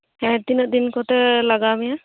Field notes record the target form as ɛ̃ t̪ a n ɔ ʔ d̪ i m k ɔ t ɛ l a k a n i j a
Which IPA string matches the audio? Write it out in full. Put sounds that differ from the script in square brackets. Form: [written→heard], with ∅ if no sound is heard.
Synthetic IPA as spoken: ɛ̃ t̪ [a→i] n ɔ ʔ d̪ i [m→n] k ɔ t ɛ l a [k→ɡ] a [n→m] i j a